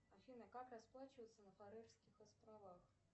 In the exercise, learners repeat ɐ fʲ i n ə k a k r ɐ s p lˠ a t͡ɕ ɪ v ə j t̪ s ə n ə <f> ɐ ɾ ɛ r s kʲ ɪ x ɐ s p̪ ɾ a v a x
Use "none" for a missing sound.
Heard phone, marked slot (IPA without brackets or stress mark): f